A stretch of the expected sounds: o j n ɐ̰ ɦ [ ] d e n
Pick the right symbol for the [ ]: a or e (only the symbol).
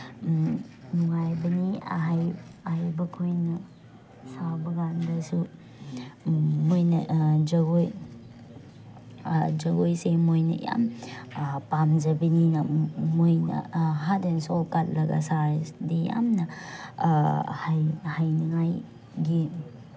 a